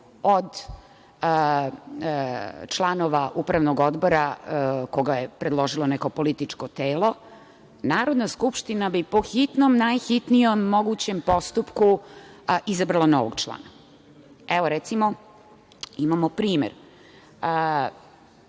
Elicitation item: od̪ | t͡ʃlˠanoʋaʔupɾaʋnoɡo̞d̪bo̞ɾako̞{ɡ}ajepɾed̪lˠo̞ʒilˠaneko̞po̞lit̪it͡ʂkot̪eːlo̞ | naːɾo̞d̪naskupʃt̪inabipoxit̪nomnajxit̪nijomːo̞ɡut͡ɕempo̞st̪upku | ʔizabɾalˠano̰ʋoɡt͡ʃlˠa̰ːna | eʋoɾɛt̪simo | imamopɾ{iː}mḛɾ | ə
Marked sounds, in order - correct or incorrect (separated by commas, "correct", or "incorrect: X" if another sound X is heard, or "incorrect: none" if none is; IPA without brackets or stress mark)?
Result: correct, correct